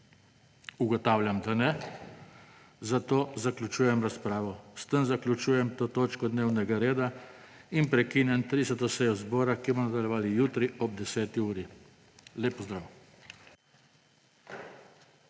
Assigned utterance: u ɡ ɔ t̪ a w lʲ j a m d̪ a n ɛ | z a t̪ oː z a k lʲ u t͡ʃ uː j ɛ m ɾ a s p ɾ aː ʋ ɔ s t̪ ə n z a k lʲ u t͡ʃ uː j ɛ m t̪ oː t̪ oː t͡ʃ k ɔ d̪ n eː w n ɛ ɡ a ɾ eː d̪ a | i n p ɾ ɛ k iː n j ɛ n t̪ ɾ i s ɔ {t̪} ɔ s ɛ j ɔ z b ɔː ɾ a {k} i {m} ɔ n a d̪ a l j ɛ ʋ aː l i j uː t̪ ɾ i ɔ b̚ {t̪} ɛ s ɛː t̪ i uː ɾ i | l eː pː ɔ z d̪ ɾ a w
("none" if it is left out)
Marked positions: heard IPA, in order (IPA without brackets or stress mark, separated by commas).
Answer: t̪, k, m, d̪